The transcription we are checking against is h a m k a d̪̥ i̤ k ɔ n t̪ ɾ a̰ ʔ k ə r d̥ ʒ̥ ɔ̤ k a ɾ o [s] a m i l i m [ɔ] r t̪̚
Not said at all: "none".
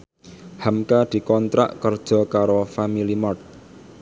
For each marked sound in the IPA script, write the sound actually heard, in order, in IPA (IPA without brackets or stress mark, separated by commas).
f, ɔ